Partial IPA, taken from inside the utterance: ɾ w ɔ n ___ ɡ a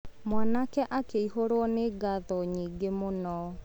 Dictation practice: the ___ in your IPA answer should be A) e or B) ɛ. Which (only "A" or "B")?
A